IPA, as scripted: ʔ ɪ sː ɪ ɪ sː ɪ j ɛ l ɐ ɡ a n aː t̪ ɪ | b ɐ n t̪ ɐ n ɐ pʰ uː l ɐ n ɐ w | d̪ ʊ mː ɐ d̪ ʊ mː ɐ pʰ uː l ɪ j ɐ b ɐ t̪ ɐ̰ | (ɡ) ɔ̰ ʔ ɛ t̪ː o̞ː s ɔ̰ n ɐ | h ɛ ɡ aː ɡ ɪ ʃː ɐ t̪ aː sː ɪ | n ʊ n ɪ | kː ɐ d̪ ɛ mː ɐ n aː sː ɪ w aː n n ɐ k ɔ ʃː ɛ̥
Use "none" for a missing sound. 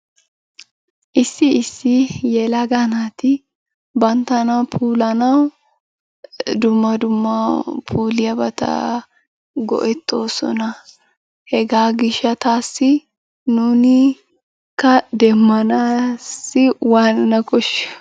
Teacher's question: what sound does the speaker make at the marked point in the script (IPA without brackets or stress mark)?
ɡ